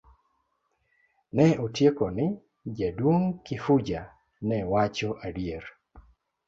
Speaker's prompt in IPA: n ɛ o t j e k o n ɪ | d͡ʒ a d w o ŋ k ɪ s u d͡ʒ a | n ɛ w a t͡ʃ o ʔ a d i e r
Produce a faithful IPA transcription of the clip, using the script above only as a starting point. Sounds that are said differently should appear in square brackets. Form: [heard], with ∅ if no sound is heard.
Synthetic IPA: n ɛ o t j e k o n ɪ | d͡ʒ a d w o ŋ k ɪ [f] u d͡ʒ a | n ɛ w a t͡ʃ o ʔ a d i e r